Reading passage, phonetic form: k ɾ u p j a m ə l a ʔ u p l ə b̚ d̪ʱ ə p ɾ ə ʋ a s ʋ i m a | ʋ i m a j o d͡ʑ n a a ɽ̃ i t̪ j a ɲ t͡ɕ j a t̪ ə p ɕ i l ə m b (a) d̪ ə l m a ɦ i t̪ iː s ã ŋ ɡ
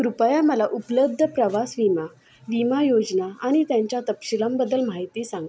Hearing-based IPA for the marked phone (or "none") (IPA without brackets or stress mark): ə